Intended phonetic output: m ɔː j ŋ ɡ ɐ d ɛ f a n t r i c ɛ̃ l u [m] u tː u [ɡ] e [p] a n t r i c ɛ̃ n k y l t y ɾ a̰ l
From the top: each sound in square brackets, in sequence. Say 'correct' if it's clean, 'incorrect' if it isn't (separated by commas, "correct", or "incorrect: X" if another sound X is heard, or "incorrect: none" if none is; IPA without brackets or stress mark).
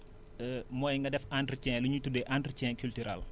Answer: incorrect: ɲ, incorrect: d, incorrect: ʔ